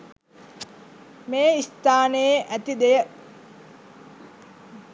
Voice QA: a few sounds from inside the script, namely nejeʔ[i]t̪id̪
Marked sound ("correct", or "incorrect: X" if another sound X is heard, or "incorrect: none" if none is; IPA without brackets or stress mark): incorrect: æ